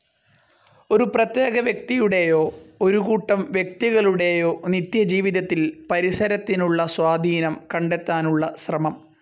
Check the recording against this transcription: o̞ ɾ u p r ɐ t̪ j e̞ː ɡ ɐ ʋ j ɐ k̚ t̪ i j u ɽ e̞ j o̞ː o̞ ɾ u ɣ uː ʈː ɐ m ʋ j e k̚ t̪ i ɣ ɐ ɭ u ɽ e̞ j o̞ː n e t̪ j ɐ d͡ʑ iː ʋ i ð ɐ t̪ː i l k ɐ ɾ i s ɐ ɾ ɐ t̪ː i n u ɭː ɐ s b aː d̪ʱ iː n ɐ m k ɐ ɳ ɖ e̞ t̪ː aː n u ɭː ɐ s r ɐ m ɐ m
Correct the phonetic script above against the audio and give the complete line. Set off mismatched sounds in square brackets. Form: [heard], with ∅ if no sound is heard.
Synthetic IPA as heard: o̞ ɾ u p r ɐ t̪ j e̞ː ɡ ɐ ʋ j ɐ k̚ t̪ i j u ɽ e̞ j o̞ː o̞ ɾ u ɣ uː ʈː ɐ m ʋ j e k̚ t̪ i ɣ ɐ ɭ u ɽ e̞ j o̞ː n [i] t̪ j ɐ d͡ʑ iː ʋ i ð ɐ t̪ː i l [p] ɐ ɾ i s ɐ ɾ ɐ t̪ː i n u ɭː ɐ s [w] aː d̪ʱ iː n ɐ m k ɐ ɳ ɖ e̞ t̪ː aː n u ɭː ɐ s r ɐ m ɐ m

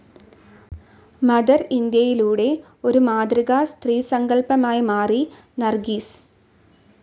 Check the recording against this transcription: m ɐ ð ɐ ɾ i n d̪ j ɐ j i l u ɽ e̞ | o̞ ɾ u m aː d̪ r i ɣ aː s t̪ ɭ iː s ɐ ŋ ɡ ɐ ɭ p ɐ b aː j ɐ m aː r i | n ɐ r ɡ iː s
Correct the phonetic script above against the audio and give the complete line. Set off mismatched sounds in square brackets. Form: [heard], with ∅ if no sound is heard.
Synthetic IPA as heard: m ɐ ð ɐ ɾ i n d̪ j ɐ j i l [uː] ɽ e̞ | o̞ ɾ u m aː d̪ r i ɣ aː s t̪ [r] iː s ɐ ŋ ɡ ɐ ɭ p ɐ [m] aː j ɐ m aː r i | n ɐ r ɡ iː s

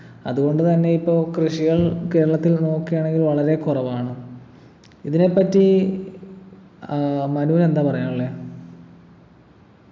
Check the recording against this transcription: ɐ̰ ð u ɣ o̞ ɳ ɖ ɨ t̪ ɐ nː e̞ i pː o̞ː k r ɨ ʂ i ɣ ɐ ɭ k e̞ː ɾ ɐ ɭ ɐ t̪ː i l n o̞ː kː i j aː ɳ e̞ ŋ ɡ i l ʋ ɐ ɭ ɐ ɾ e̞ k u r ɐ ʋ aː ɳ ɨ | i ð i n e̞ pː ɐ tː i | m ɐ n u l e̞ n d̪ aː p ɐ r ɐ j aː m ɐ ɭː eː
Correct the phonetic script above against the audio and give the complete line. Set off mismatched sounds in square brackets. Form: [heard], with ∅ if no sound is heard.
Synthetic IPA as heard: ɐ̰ ð u ɣ o̞ ɳ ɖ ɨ t̪ ɐ nː e̞ i pː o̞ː k r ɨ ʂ i ɣ ɐ ɭ k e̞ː ɾ ɐ ɭ ɐ t̪ː i l n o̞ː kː i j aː ɳ e̞ ŋ ɡ i l ʋ ɐ ɭ ɐ ɾ e̞ k u r ɐ ʋ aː ɳ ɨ | i ð i n e̞ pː ɐ tː i | m ɐ n u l e̞ n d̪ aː p ɐ r ɐ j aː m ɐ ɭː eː

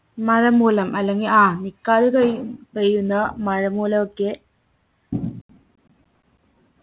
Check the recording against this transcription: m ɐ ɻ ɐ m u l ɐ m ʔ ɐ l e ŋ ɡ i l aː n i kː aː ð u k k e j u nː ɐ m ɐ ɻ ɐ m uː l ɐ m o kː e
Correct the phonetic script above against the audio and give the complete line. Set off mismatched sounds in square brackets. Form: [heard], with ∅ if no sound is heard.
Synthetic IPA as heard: m ɐ ɻ ɐ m [uː] l ɐ m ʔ ɐ [lː] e ŋ ɡ i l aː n i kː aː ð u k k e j u nː ɐ m ɐ ɻ ɐ m uː l ɐ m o kː e

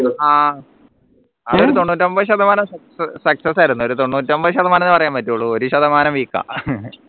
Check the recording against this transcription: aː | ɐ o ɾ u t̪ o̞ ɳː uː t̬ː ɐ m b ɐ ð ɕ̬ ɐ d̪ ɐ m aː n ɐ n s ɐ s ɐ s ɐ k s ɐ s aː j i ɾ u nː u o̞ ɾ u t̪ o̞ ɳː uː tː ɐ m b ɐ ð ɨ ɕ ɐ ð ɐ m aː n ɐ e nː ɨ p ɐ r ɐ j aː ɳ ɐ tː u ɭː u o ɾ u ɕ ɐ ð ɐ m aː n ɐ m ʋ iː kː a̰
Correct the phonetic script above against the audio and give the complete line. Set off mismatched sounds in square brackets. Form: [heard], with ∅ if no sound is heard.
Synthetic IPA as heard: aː | ɐ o ɾ u t̪ o̞ ɳː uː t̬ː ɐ m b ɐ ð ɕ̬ ɐ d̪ ɐ m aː n ɐ [m] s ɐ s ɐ s ɐ k s ɐ s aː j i ɾ u nː u o̞ ɾ u t̪ o̞ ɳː uː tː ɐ m b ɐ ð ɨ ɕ ɐ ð ɐ m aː n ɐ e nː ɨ p ɐ r ɐ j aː [m] ɐ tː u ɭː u o ɾ u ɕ ɐ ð ɐ m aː n ɐ m ʋ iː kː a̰

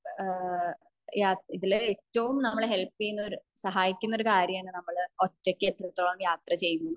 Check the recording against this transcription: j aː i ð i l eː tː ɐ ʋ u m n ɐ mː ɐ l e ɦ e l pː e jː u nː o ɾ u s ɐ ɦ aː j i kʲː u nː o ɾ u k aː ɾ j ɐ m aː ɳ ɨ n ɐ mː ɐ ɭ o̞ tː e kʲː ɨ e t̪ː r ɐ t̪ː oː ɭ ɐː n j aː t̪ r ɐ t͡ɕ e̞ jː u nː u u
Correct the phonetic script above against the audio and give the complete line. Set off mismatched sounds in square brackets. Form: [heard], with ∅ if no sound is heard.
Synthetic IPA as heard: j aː i ð i l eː tː ɐ ʋ u m n ɐ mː ɐ [ɭ] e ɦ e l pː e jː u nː o ɾ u s ɐ ɦ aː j i kʲː u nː o ɾ u k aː ɾ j ɐ m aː ɳ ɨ n ɐ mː ɐ ɭ o̞ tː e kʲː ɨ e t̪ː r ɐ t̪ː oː ɭ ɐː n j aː t̪ r ɐ t͡ɕ e̞ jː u nː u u

